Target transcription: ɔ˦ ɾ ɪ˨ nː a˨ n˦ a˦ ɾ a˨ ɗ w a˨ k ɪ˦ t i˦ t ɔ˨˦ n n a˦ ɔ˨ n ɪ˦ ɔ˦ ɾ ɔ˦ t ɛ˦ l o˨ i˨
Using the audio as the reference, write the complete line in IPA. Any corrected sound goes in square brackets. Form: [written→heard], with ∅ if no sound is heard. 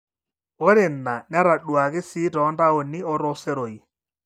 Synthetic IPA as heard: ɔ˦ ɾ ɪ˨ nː a˨ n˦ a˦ ɾ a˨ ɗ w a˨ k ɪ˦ [t→s] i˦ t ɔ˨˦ n [n→d] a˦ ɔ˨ n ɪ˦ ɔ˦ ɾ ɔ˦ [t→s] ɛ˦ [l→ɾ] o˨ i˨